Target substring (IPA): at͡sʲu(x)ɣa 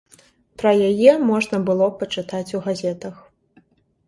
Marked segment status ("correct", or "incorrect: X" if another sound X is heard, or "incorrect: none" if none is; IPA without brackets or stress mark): incorrect: none